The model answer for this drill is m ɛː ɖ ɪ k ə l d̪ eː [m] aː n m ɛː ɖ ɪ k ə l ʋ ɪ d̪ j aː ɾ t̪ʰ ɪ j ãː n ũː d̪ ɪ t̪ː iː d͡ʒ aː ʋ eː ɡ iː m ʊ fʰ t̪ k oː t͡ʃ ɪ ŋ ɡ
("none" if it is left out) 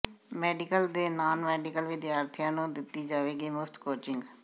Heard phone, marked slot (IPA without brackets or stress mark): n